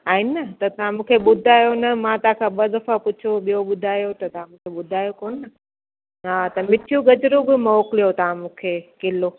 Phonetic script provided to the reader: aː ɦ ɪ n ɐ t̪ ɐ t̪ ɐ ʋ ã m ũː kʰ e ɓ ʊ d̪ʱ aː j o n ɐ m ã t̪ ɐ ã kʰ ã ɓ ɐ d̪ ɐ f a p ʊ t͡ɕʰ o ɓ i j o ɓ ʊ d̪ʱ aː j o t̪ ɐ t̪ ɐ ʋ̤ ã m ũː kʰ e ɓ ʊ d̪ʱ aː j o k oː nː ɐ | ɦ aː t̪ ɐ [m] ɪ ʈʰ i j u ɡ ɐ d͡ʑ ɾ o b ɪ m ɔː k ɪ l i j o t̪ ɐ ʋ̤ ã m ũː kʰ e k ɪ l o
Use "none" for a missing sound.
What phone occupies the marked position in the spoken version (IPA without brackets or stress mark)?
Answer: m